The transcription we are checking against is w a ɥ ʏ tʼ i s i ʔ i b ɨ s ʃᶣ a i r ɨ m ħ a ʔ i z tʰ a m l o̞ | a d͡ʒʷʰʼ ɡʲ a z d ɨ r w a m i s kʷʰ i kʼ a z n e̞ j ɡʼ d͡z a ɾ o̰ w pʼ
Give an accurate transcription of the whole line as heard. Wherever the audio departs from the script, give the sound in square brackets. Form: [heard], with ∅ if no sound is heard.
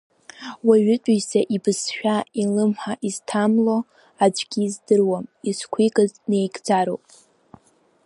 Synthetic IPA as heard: w a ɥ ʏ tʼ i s [a] ʔ i b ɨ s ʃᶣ a i [l] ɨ m ħ a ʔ i z tʰ a m l o̞ | a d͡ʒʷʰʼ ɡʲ [i] z d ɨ r w a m i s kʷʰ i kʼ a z n e̞ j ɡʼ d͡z a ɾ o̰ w pʼ

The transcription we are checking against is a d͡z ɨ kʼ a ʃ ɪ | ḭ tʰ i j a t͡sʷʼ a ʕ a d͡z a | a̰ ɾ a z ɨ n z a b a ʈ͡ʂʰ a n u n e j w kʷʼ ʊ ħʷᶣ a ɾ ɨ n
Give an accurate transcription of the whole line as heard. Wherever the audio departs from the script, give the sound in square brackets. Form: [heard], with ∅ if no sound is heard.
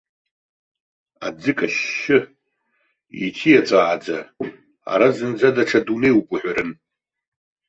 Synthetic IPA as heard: a d͡z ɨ kʼ a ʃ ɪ | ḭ tʰ i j a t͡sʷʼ a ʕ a d͡z a | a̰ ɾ a z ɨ n [d͡z] a [d] a ʈ͡ʂʰ a [d] u n e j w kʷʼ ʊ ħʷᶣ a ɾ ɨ n

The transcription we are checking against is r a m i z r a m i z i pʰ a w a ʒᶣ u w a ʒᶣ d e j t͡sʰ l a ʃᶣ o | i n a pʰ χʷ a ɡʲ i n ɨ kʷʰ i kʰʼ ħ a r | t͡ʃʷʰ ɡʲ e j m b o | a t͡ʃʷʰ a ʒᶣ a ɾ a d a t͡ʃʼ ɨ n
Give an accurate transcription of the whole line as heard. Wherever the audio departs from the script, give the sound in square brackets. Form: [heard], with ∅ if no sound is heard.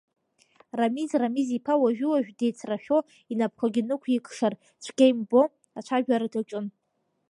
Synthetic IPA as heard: r a m i z r a m i z i pʰ a w a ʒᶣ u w a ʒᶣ d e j t͡sʰ [r] a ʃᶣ o | i n a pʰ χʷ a ɡʲ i n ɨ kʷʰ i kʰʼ [ʂ] a r | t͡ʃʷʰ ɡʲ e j m b o | a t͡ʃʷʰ a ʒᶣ a ɾ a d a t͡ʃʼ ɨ n

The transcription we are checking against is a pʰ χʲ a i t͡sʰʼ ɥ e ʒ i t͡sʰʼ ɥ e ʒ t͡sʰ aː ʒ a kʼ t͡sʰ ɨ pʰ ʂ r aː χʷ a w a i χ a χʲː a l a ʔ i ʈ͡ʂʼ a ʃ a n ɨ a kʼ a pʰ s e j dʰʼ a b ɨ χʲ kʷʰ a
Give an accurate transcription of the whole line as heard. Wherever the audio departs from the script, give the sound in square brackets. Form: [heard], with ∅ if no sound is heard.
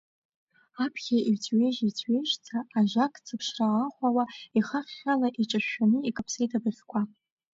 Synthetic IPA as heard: a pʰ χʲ a i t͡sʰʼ ɥ e ʒ i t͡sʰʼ ɥ e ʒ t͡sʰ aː ʒ a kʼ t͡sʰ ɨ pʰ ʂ r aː χʷ a w a i χ a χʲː a l a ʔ i ʈ͡ʂʼ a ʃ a n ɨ [i] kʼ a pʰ s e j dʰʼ a b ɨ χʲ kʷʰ a

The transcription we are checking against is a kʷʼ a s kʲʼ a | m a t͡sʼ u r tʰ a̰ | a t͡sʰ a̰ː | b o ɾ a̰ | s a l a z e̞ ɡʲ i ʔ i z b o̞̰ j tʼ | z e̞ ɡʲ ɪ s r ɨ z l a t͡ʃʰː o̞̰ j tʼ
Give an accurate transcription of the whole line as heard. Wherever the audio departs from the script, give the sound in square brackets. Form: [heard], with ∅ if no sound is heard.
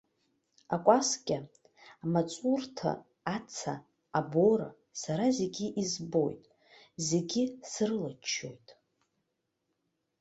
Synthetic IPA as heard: a kʷʼ a s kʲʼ a | m a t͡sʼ u r tʰ a̰ | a t͡sʰ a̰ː | b o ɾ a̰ | s a [ɾ] a z e̞ ɡʲ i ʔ i z b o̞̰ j tʼ | z e̞ ɡʲ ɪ s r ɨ [∅] l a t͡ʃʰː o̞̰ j tʼ

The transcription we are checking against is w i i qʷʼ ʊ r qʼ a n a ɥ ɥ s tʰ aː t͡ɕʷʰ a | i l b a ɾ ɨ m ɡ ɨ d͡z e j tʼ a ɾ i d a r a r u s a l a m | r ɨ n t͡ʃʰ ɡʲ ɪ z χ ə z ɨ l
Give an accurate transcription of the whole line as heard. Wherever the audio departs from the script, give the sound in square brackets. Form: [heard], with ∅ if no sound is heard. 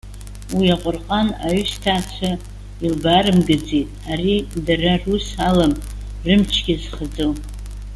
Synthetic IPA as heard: w i [a] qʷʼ ʊ r qʼ a n a ɥ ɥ s tʰ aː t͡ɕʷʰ a | i l b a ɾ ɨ m ɡ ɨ d͡z e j tʼ a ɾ i d a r a r u s a l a m | r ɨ [m] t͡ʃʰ ɡʲ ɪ z χ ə [d͡z] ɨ l

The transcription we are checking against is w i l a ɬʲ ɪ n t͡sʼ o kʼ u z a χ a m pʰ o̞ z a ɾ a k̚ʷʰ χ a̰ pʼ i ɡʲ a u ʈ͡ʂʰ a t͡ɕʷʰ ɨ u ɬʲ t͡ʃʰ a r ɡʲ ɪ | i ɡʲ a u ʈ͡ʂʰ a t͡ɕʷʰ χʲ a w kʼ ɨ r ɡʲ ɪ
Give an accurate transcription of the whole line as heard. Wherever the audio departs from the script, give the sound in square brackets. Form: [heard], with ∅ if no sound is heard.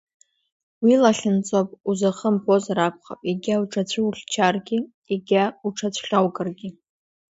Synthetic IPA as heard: w i l a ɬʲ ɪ n t͡sʼ o [pʼ] u z a χ [ə] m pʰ o̞ z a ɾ a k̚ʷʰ χ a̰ pʼ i ɡʲ a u ʈ͡ʂʰ a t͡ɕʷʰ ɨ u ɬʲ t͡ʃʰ a r ɡʲ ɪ | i ɡʲ a u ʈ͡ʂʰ a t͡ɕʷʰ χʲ a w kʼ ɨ r ɡʲ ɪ

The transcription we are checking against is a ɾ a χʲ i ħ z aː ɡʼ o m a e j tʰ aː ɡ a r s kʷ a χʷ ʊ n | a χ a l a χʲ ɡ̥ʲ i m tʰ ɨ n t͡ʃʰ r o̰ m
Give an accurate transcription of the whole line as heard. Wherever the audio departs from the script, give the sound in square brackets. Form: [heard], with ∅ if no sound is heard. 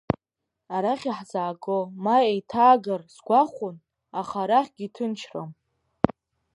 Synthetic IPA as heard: a ɾ a χʲ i ħ z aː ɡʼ o m a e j tʰ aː ɡ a r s [ɡʷ] a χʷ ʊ n | a χ a [ɾ] a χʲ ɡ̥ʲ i [∅] tʰ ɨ n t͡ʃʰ r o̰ m

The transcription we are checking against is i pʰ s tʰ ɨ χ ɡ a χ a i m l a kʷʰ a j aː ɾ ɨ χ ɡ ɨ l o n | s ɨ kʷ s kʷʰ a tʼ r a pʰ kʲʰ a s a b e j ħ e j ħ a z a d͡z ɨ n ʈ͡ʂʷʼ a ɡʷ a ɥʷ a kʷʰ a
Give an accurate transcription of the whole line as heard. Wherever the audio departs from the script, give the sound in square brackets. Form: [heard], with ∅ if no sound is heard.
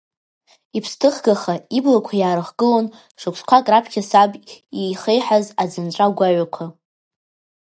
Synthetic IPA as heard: i pʰ s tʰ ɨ χ ɡ a χ a i [b] l a kʷʰ a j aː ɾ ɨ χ ɡ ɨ l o n | [ʂ] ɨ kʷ s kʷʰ a [kʼ] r a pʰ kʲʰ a s a b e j [χ] e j ħ a z a d͡z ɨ n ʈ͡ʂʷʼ a ɡʷ a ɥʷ a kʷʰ a

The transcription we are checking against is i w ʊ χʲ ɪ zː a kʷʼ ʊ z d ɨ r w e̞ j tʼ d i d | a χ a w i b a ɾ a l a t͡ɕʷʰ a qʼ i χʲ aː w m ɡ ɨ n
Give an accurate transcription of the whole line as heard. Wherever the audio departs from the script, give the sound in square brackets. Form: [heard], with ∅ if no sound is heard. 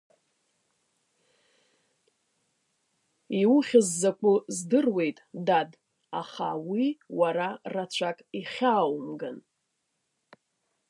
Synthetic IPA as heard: i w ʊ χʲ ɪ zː a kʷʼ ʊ z d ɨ r w e̞ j tʼ d [a] d | a χ a w i [w] a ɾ a [r] a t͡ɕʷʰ a [kʼ] i χʲ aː w m ɡ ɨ n

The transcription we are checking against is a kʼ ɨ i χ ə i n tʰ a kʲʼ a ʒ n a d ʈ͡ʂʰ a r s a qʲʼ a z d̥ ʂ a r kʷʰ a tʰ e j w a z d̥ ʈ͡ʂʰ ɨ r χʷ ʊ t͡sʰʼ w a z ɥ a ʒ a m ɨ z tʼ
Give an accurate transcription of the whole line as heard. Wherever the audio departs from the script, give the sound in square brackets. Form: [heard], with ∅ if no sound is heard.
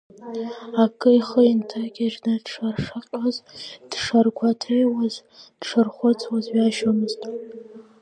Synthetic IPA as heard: a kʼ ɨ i χ ə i n tʰ a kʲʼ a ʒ n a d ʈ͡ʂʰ a r [ʂ] a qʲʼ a z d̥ ʂ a r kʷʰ a tʰ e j w a z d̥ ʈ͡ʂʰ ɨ r χʷ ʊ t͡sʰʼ w a z ɥ a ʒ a m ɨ z tʼ

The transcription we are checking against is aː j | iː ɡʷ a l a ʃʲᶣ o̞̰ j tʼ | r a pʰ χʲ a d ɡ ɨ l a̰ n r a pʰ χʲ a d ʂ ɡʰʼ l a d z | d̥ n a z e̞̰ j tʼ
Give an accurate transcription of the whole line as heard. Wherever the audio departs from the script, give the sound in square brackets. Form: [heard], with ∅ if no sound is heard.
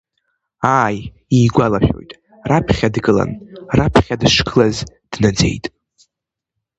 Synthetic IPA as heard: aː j | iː ɡʷ a l a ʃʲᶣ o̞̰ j tʼ | r a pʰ χʲ a d ɡ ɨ l a̰ n r a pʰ χʲ a d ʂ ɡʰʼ l a [∅] z | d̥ n a [d͡z] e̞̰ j tʼ

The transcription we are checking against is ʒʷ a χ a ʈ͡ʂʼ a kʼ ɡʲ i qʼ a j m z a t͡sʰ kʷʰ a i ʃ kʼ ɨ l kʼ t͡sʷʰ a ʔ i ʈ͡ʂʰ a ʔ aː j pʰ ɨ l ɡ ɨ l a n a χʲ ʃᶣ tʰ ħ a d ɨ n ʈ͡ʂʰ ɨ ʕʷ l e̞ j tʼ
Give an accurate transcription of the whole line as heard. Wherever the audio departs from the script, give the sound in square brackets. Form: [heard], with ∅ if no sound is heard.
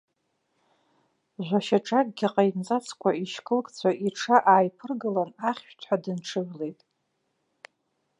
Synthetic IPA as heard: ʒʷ a [ʃ] a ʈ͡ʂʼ a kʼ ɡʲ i qʼ a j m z a t͡sʰ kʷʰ a i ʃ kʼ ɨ l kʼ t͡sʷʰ a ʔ i ʈ͡ʂʰ a ʔ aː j pʰ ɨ [r] ɡ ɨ l a n a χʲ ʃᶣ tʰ ħ a d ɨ n ʈ͡ʂʰ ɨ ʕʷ l e̞ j tʼ

